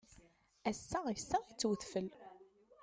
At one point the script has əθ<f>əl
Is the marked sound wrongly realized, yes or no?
no